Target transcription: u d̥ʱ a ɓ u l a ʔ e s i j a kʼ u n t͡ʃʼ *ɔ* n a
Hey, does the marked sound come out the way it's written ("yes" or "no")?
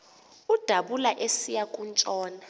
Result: no